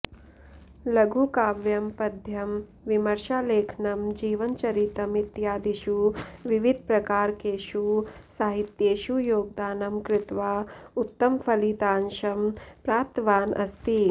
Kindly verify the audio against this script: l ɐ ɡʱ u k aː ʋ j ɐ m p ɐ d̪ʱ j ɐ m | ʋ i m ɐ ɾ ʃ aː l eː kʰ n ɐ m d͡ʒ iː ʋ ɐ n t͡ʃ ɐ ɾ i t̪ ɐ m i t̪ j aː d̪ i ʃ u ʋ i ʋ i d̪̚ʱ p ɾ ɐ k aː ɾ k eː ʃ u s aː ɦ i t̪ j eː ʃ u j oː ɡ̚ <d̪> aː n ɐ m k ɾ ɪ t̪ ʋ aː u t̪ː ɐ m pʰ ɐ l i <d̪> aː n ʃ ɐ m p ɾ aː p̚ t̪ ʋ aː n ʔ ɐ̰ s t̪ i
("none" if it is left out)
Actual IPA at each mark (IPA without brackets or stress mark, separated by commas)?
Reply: d̪, t̪